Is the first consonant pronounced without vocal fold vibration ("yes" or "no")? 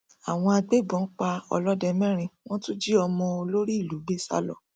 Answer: no